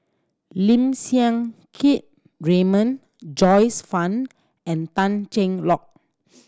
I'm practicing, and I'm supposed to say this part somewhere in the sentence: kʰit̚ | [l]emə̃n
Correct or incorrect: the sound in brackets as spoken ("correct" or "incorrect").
incorrect